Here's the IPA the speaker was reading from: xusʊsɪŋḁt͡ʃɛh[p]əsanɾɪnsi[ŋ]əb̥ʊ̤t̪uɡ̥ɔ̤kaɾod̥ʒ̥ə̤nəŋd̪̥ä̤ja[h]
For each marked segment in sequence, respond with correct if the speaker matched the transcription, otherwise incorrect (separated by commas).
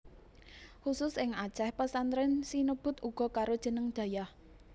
correct, incorrect, correct